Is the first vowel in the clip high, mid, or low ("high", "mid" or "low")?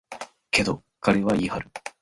mid